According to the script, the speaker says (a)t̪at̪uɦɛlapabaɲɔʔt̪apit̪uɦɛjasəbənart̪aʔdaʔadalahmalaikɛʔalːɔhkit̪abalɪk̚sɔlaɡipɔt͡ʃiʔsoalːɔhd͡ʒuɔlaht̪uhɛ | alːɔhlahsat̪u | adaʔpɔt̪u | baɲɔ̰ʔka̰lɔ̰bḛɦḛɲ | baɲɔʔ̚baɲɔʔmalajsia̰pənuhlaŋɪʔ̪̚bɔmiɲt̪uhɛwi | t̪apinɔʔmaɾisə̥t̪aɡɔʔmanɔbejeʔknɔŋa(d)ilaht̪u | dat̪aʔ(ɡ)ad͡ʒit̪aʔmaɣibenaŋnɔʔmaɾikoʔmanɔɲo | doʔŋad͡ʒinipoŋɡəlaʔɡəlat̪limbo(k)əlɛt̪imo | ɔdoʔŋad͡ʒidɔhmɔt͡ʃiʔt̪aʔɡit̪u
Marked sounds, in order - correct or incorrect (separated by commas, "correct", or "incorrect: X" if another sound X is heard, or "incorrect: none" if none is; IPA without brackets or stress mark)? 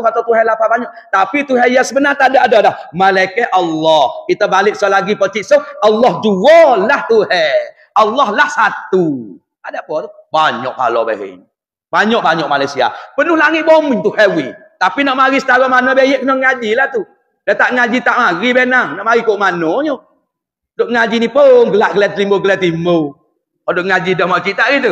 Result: correct, incorrect: d͡ʒ, incorrect: ŋ, incorrect: ɡ